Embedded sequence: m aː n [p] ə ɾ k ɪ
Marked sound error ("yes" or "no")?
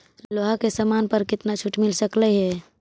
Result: no